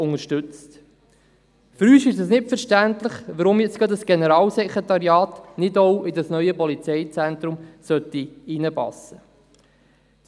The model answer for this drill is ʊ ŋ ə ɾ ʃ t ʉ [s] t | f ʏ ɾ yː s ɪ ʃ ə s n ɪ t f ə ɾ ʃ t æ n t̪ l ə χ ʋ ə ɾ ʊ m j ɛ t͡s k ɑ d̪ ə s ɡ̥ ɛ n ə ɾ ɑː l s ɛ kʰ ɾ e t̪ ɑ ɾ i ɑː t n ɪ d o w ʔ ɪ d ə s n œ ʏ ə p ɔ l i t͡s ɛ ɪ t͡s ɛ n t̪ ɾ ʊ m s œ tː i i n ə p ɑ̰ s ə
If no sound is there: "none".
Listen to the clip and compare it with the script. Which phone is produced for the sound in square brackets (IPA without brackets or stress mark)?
t͡s